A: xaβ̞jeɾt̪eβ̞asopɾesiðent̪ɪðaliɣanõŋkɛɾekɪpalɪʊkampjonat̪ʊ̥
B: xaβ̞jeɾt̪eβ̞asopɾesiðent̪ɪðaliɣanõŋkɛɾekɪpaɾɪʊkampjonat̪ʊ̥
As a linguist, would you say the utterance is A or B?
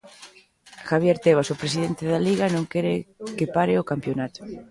B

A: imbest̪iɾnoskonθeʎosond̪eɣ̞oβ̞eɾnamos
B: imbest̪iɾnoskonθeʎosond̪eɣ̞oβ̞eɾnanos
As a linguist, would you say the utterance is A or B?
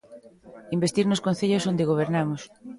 A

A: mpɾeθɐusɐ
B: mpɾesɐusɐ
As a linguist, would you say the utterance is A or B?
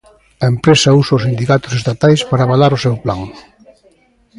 B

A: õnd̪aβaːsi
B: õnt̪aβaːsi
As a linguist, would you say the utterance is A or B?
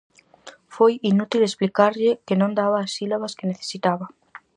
A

